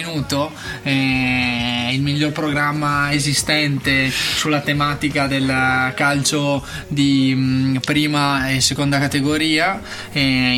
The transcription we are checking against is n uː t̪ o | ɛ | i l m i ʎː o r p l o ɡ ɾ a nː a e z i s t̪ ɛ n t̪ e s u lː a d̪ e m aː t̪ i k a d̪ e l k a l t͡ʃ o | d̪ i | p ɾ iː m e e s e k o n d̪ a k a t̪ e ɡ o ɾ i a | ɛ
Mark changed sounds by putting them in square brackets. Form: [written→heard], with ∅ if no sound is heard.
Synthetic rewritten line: n uː t̪ o | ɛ | i l m i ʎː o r p [l→ɾ] o ɡ ɾ a [nː→mː] a e z i s t̪ ɛ n t̪ e s u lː a [d̪→t̪] e m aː t̪ i k a d̪ e l k a l t͡ʃ o | d̪ i | p ɾ iː m [e→a] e s e k o n d̪ a k a t̪ e ɡ o ɾ [i→iː] a | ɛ